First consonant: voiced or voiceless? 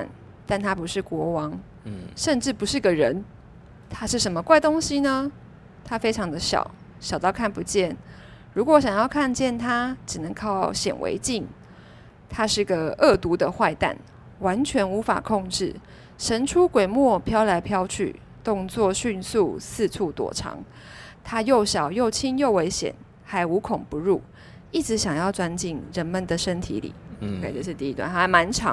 voiced